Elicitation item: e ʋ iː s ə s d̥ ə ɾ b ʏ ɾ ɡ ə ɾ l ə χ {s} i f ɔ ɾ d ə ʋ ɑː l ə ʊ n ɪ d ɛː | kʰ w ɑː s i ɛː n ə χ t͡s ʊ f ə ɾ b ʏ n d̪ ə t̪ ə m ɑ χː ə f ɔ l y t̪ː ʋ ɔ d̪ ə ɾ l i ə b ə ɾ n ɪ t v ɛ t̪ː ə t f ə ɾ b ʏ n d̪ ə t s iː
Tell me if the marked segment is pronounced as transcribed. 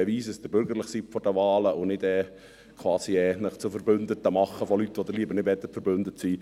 yes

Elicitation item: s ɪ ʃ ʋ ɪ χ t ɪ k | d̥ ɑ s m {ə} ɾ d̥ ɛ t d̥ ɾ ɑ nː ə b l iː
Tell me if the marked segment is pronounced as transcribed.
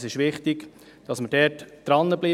yes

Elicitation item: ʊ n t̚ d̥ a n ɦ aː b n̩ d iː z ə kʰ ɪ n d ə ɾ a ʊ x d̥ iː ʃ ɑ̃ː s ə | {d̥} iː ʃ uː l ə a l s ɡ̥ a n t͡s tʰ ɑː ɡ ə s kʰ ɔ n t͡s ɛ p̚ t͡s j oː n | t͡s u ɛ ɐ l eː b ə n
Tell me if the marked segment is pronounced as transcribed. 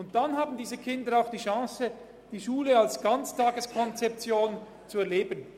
yes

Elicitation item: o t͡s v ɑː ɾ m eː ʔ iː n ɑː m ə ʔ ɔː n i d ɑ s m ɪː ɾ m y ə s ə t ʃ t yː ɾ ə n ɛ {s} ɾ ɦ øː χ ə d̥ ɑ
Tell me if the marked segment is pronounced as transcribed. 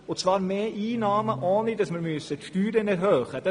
no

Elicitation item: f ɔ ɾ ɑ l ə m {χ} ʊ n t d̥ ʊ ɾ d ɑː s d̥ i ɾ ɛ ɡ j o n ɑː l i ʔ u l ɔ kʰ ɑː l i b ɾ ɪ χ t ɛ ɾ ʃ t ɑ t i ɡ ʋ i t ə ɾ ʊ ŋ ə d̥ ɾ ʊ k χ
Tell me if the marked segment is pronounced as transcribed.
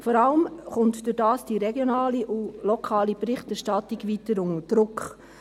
yes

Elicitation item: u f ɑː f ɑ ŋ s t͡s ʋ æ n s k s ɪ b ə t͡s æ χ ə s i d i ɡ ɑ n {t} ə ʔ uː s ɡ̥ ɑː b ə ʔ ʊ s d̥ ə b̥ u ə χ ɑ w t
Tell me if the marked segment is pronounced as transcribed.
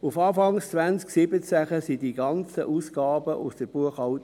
no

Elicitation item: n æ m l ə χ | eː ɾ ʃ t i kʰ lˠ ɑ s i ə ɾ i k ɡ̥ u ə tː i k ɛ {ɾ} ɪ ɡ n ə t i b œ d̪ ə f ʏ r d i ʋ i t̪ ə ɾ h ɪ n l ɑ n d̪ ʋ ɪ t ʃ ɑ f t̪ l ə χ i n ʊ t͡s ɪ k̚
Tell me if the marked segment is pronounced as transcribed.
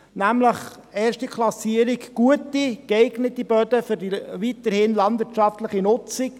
no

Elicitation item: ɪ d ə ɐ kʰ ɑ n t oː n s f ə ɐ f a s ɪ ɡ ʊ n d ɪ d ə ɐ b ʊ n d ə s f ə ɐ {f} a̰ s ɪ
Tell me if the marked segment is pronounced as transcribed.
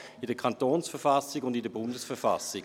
yes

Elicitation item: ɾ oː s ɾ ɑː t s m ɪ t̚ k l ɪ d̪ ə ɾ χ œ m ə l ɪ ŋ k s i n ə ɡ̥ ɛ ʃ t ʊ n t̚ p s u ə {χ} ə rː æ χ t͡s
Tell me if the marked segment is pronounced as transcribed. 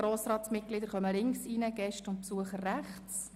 yes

